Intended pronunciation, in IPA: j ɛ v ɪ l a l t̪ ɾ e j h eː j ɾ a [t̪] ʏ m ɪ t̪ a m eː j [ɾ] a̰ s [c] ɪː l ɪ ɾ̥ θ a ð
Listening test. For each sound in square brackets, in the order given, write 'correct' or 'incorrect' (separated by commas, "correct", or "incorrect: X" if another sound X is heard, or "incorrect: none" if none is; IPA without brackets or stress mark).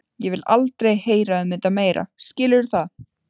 incorrect: none, correct, correct